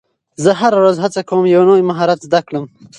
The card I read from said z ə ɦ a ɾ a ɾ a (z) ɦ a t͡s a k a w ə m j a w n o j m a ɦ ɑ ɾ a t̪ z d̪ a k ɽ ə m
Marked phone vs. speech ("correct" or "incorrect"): correct